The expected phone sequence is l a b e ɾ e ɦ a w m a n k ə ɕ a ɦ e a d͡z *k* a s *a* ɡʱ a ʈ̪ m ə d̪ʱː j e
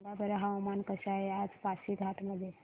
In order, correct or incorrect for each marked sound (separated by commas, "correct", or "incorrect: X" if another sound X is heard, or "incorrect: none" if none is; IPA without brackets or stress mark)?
incorrect: p, incorrect: i